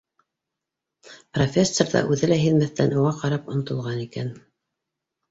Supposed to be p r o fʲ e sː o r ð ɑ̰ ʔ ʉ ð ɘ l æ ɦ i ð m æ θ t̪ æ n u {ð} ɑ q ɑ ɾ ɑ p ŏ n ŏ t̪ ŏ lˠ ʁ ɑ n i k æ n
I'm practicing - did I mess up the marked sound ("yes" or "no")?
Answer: yes